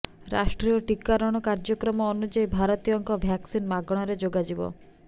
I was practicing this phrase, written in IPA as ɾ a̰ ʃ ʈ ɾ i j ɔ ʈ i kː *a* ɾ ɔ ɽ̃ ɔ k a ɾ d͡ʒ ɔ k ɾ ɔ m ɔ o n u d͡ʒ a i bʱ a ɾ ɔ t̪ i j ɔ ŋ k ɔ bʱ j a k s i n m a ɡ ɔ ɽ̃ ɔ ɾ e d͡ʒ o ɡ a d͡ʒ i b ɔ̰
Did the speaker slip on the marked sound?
no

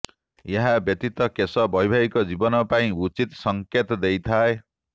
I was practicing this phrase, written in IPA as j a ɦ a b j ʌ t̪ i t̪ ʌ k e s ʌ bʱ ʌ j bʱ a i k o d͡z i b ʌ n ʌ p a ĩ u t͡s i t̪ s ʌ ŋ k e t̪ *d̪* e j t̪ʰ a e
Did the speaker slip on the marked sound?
no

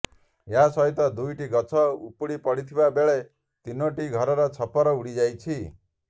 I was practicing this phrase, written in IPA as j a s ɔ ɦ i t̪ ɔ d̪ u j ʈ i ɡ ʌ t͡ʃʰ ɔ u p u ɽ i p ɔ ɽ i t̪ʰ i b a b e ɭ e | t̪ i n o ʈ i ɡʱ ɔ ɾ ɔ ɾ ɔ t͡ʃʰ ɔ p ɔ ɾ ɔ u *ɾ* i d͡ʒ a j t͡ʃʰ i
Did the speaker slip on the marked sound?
yes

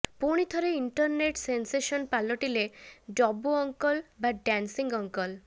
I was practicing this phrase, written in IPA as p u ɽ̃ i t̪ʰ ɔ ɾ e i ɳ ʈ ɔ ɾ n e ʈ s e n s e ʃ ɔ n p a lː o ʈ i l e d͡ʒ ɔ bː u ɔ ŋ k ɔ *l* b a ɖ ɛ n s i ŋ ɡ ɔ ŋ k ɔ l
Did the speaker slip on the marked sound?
no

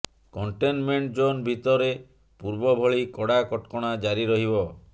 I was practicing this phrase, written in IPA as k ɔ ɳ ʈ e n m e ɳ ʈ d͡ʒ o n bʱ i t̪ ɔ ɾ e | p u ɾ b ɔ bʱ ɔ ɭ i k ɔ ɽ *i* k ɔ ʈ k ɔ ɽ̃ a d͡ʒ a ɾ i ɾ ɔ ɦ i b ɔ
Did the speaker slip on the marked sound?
yes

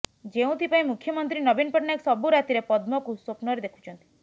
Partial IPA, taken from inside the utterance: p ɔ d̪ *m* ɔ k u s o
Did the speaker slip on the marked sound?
no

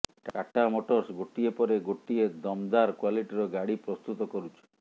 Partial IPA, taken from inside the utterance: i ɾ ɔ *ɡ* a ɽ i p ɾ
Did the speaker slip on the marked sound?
no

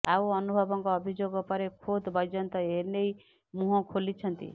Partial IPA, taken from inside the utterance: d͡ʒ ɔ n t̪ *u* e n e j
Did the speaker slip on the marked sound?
yes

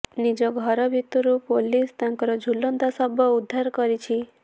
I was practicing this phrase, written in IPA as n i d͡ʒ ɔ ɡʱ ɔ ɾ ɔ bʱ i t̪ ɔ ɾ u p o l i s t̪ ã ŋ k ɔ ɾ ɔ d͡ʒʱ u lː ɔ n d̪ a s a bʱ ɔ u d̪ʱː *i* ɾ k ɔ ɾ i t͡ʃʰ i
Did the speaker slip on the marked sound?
yes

